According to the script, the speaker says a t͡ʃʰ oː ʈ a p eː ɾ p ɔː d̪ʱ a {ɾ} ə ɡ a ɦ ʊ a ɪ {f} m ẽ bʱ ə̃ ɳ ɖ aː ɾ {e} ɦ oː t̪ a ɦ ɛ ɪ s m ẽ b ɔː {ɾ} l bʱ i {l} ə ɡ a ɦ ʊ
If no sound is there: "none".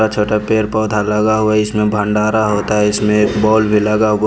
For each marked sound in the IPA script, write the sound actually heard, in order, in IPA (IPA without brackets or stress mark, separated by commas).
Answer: l, s, a, none, l